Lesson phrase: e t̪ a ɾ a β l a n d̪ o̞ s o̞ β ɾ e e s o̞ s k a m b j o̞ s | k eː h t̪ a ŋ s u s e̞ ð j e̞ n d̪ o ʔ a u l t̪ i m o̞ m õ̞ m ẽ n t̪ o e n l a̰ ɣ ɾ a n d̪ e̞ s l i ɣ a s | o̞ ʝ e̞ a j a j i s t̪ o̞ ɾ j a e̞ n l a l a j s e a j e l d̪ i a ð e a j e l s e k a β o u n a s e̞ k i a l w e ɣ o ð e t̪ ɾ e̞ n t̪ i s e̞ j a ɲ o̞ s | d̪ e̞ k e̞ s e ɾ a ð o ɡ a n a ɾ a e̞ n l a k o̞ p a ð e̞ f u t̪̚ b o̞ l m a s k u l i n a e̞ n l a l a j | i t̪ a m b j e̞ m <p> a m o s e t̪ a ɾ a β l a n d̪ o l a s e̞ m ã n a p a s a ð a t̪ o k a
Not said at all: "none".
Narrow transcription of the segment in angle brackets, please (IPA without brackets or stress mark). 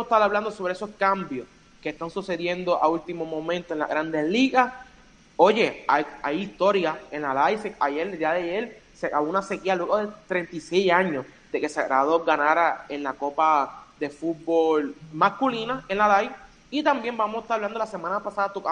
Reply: b